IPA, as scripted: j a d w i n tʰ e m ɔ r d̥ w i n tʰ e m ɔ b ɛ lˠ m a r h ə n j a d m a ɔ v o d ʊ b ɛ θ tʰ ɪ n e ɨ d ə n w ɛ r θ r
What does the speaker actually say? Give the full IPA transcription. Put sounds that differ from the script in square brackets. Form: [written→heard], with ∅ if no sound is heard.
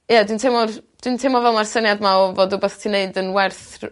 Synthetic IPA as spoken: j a d w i n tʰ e m ɔ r d̥ w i n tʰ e m ɔ [b→v] ɛ lˠ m a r [h→s] ə n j a d m a ɔ v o d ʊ b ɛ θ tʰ [ɪ→i] n e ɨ d ə n w ɛ r θ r